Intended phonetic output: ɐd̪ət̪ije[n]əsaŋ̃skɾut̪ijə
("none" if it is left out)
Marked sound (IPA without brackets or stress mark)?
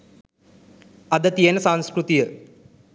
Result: n